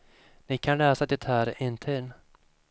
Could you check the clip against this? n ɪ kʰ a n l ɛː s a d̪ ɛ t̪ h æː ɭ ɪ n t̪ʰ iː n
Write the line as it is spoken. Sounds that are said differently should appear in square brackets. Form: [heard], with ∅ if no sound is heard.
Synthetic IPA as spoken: n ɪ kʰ a n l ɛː s a d̪ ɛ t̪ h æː [ɾ] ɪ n t̪ʰ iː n

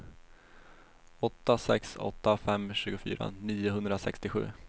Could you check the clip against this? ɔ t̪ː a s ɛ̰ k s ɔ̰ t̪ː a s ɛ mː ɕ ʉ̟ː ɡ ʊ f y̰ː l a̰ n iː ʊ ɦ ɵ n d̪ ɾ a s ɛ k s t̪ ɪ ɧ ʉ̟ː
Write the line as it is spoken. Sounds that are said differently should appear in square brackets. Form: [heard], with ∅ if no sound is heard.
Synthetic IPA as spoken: ɔ t̪ː a s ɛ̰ k s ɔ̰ t̪ː a [f] ɛ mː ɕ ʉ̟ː ɡ ʊ f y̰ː [ɾ] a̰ n iː ʊ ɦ ɵ n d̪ ɾ a s ɛ k s t̪ ɪ ɧ ʉ̟ː

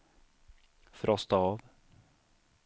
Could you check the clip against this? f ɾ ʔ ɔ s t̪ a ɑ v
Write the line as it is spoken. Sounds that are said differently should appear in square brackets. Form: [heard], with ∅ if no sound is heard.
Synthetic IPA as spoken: f ɾ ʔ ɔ s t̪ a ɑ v

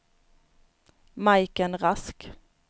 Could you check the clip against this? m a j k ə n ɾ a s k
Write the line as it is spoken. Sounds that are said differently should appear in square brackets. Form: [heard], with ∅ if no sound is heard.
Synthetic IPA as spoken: m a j k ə n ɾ a s k

